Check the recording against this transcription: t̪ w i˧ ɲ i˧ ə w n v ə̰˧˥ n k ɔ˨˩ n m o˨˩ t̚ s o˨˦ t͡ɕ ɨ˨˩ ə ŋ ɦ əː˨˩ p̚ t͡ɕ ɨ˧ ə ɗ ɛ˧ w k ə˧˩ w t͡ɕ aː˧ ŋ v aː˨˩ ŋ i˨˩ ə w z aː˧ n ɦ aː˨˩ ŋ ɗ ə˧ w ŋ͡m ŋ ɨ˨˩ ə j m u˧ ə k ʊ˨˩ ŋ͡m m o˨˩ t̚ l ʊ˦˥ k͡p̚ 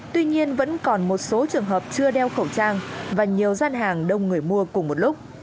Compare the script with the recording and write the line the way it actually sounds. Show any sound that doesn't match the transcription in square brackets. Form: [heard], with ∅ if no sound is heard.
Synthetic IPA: t̪ w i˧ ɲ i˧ ə [∅] n v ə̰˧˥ n k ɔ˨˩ n m o˨˩ t̚ s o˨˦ t͡ɕ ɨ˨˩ ə ŋ ɦ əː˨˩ p̚ t͡ɕ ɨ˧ ə ɗ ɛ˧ w [x] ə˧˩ w t͡ɕ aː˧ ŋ v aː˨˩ [ɲ] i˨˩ ə w z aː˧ n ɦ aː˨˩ ŋ ɗ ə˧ w ŋ͡m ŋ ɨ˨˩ ə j m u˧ ə k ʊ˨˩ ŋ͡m m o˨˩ t̚ l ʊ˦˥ k͡p̚